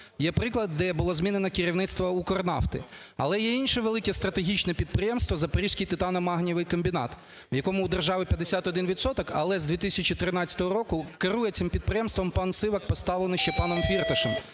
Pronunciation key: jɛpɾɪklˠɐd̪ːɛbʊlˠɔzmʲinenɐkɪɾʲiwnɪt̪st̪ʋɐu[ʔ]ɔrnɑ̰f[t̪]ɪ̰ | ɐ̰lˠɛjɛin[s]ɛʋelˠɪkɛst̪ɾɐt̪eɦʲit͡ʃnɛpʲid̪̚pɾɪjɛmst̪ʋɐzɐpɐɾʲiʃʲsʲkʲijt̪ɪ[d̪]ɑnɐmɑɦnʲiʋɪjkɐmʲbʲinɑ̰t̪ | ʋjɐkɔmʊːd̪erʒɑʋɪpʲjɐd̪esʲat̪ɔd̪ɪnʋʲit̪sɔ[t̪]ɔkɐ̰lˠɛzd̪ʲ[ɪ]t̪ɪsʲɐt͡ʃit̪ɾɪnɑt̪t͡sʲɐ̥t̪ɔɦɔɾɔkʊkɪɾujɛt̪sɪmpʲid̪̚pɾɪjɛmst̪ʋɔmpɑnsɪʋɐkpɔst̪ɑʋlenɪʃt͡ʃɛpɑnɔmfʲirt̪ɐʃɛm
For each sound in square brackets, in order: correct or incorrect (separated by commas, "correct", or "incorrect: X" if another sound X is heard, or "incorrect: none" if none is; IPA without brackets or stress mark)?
incorrect: k, correct, incorrect: ʃ, incorrect: t̪, correct, incorrect: i